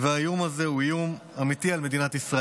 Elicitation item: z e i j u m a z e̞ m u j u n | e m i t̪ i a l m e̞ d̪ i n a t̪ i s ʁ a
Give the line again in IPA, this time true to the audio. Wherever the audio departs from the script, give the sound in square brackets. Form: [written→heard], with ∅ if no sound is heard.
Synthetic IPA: [z→v] e [i→a] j u m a z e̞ [m→∅] u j u [n→m] | [e→a] m i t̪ i a l m e̞ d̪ i n a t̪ i s ʁ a